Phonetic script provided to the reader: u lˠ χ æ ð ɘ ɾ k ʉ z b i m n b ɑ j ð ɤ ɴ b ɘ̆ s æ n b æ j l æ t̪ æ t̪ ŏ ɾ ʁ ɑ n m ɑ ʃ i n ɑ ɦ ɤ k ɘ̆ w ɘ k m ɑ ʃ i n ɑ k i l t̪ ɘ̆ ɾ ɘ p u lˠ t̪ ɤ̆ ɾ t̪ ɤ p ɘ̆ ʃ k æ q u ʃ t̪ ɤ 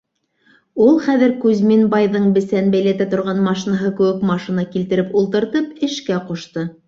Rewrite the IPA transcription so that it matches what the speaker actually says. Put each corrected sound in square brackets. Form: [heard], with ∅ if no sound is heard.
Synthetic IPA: u lˠ χ æ ð ɘ ɾ k ʉ z [m] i [∅] n b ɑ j ð ɤ ɴ b ɘ̆ s æ n b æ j l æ t̪ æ t̪ ŏ ɾ ʁ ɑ n m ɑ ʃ i n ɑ ɦ ɤ k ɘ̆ w ɘ k m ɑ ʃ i n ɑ k i l t̪ ɘ̆ ɾ ɘ p u lˠ t̪ ɤ̆ ɾ t̪ ɤ p ɘ̆ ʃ k æ q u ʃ t̪ ɤ